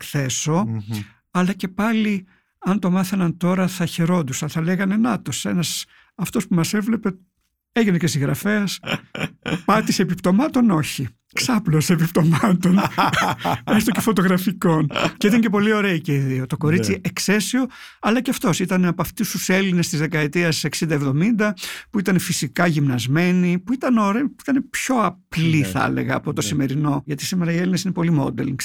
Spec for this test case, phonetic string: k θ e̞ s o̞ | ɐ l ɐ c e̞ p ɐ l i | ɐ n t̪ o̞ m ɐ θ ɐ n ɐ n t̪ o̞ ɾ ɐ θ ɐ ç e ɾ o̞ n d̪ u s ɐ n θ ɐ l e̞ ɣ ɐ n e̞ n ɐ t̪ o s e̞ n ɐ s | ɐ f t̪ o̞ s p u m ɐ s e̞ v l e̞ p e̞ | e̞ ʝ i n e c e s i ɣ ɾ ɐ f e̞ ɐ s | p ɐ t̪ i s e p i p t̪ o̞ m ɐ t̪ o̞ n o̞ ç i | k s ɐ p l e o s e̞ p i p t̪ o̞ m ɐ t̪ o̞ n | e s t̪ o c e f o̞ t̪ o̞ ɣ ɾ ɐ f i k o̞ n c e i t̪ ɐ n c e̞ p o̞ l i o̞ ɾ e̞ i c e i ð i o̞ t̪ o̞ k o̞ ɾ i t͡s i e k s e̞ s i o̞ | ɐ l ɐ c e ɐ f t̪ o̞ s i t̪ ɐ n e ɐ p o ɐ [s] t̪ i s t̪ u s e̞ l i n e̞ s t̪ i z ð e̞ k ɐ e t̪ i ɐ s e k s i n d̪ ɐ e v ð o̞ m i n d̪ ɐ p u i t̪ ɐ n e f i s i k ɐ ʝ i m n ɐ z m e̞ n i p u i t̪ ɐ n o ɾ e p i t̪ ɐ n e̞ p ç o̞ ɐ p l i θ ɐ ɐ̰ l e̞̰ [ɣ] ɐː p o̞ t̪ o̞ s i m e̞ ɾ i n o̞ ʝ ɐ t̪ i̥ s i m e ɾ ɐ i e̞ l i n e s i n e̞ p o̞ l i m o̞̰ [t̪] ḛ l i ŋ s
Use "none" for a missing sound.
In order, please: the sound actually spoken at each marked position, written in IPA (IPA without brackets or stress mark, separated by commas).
f, ɣ, d̪